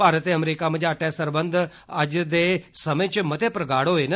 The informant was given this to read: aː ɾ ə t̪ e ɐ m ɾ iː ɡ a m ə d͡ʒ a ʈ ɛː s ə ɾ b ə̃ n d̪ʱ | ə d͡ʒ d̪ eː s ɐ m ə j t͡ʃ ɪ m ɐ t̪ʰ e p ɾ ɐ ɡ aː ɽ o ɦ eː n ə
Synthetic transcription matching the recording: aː ɾ ə t̪ e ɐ m ɾ iː k a m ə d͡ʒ a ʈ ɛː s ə ɾ b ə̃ n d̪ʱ | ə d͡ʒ d̪ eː s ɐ m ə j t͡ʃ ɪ m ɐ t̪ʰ e p ɾ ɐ ɡ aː ɽ o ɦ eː n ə